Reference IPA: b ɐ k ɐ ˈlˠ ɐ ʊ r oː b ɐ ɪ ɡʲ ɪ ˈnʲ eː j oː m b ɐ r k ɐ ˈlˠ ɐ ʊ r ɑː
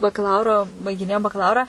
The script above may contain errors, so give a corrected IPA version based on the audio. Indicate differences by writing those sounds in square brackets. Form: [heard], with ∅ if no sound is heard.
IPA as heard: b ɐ k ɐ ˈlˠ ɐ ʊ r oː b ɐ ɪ ɡʲ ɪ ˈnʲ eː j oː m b ɐ [∅] k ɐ ˈlˠ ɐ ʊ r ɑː